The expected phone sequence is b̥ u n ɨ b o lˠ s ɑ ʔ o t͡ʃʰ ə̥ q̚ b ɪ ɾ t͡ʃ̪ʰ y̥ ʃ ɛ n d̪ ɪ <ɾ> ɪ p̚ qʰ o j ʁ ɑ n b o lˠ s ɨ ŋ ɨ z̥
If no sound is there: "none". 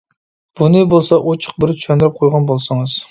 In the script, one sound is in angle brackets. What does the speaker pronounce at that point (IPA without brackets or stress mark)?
ɾ